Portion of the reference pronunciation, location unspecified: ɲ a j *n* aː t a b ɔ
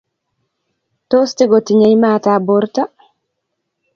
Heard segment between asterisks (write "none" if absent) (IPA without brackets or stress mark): m